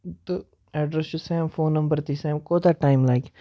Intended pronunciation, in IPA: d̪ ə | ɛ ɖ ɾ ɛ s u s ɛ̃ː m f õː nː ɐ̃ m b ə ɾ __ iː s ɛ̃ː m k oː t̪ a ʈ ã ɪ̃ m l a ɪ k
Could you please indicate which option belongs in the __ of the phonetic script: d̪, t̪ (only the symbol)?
t̪